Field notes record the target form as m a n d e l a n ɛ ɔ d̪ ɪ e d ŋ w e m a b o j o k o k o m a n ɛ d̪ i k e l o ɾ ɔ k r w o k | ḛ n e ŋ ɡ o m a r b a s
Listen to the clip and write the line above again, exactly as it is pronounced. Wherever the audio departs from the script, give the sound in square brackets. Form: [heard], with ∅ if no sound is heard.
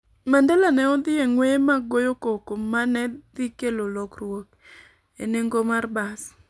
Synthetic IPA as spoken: m a n d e l a n ɛ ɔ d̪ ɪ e [∅] ŋ w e m a [ɡ] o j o k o k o m a n ɛ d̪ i k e l o [l] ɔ k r w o k | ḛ n e ŋ ɡ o m a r b a s